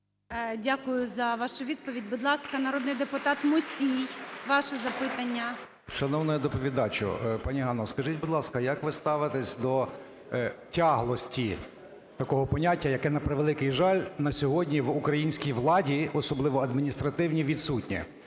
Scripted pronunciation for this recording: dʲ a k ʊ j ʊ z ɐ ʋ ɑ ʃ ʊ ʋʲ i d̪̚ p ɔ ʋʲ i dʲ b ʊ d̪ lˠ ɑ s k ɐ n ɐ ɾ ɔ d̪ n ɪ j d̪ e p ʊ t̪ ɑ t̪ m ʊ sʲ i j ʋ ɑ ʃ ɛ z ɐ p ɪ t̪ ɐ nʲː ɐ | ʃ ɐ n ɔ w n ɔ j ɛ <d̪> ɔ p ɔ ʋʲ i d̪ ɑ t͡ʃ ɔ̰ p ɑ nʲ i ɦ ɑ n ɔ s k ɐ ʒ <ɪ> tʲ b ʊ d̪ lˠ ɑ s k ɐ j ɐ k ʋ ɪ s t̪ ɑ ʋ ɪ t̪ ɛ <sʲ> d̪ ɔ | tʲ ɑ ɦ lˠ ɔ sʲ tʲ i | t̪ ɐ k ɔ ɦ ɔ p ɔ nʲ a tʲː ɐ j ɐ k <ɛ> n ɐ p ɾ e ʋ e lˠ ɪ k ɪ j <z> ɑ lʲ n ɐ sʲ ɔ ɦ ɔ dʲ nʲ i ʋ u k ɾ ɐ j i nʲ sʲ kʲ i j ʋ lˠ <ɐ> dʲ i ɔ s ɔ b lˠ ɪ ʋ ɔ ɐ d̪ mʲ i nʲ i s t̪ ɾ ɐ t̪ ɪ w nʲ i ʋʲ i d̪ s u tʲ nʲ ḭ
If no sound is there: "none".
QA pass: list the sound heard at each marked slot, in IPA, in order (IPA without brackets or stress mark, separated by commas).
d̪, i, sʲ, ɛ, ʒ, ɑ